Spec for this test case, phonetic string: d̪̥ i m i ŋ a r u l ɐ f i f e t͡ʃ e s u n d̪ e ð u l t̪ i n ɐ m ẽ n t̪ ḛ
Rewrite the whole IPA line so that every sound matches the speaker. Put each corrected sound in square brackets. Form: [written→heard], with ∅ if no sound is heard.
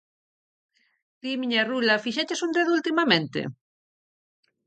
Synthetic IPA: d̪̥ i m i [ŋ→ɲ] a r u l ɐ f i [f→ʃ] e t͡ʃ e s u n d̪ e ð u l t̪ i [n→m] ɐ m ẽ n t̪ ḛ